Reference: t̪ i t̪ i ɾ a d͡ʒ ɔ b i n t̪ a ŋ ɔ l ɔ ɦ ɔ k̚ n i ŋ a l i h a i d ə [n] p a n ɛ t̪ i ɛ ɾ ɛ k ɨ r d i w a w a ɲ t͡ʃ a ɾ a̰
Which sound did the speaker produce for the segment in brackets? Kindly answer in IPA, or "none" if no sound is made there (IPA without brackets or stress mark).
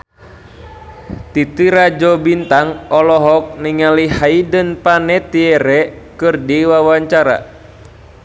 n